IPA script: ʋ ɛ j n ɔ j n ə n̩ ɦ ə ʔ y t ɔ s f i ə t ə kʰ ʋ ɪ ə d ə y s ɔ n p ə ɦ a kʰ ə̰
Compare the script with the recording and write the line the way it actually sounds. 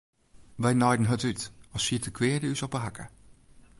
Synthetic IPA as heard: ʋ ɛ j n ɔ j d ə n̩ ɦ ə t y t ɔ s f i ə t ə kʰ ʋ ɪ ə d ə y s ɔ p ə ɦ a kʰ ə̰